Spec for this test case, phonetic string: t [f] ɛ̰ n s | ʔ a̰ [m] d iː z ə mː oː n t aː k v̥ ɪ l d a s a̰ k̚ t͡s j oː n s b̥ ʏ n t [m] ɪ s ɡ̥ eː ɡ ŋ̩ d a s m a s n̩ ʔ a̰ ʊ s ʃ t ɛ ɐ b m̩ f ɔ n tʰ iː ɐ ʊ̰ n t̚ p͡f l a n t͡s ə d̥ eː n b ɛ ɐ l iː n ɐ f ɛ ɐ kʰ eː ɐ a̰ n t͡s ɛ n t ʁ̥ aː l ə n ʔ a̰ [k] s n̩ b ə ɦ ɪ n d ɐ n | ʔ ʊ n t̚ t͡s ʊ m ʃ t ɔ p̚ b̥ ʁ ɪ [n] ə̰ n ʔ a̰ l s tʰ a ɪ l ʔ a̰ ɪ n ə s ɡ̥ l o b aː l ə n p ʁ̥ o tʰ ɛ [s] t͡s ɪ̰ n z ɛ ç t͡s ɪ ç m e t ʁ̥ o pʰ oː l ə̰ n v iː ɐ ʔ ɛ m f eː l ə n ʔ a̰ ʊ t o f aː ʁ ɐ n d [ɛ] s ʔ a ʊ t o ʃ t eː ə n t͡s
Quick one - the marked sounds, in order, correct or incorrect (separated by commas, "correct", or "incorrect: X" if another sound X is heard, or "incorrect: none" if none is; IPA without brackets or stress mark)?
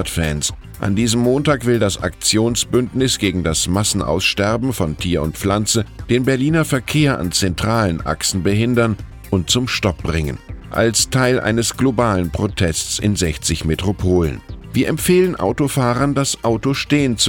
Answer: correct, incorrect: n, incorrect: n, correct, incorrect: ŋ, correct, incorrect: a